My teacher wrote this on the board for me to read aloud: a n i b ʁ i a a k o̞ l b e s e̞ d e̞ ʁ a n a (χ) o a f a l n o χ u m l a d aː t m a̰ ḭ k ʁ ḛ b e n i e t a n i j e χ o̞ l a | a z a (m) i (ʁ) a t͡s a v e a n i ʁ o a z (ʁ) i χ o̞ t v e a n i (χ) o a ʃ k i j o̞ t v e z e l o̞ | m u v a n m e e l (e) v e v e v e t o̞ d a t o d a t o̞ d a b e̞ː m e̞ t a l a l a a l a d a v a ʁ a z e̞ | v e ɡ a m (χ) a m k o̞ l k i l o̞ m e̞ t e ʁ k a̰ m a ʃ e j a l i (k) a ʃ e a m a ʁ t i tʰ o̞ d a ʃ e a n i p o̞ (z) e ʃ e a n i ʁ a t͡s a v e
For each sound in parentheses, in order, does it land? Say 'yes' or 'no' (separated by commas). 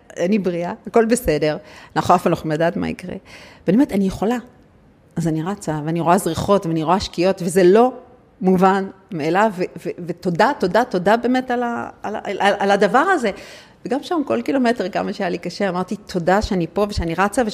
yes, no, yes, yes, no, no, no, yes, no